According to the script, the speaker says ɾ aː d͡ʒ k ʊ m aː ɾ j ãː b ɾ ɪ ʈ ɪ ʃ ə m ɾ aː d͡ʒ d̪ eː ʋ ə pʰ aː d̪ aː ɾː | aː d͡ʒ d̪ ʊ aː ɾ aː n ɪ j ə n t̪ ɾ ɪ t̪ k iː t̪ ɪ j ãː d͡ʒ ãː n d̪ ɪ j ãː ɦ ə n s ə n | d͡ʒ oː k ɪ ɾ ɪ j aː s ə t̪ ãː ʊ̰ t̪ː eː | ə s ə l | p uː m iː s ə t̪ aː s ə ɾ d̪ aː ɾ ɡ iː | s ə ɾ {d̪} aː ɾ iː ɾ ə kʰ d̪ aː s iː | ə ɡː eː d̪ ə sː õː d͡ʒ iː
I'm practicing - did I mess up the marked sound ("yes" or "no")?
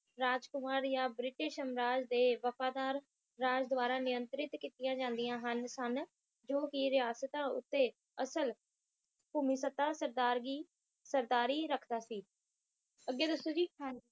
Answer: no